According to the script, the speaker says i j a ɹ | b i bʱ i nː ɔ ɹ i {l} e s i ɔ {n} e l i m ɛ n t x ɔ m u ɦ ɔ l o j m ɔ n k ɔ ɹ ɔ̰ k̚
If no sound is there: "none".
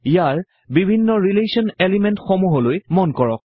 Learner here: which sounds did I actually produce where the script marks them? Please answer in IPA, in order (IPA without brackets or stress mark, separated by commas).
l, n